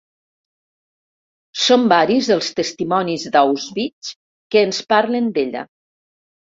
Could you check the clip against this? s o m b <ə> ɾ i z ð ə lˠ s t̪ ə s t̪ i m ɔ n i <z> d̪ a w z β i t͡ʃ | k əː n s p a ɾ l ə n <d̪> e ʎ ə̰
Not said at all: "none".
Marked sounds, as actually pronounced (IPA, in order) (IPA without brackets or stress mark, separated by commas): a, z, d̪